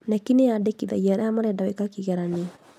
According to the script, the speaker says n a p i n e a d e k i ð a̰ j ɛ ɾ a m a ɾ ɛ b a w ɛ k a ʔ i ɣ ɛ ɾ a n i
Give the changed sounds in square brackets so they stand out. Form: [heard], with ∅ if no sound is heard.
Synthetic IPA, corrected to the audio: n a [k] i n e a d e k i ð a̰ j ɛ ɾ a m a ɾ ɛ [d] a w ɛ k a [k] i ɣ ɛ ɾ a n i